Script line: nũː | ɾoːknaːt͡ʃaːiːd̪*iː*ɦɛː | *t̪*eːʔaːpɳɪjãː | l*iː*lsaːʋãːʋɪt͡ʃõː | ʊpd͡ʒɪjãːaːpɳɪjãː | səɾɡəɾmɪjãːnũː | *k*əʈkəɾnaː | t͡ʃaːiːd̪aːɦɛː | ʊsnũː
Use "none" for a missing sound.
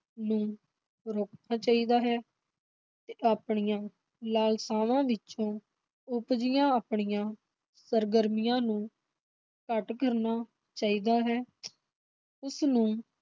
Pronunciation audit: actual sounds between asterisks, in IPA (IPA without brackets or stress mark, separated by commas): aː, t̪, aː, k